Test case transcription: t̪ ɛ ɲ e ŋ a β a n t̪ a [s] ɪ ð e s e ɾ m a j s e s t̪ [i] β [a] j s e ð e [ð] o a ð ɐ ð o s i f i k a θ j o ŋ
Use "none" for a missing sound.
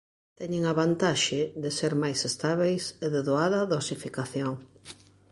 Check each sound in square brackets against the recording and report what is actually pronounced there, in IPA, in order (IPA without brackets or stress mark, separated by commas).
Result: ʃ, a, e, ð